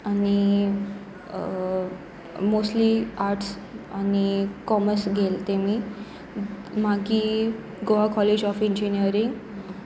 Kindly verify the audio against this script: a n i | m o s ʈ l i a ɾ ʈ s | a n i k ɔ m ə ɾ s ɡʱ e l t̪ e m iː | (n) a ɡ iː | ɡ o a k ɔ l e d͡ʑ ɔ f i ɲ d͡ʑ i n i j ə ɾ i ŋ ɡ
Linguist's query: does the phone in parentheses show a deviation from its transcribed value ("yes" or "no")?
yes